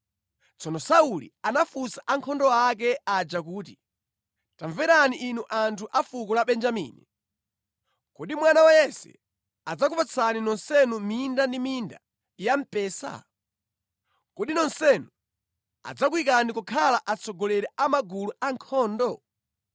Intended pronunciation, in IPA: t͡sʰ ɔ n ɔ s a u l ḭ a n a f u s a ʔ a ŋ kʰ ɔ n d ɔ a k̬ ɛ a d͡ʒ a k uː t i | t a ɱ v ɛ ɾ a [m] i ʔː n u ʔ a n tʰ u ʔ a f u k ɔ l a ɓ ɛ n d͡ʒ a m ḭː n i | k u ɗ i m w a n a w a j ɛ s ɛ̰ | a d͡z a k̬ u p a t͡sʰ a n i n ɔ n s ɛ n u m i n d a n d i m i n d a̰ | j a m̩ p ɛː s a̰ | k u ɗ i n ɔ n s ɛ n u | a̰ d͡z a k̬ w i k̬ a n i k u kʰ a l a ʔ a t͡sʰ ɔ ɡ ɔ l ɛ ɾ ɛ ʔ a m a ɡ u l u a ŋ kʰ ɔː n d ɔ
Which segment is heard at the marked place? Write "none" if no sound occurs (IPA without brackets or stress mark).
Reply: n